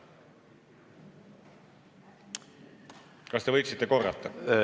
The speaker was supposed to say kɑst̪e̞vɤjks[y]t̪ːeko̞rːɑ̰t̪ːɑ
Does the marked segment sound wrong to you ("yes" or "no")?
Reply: yes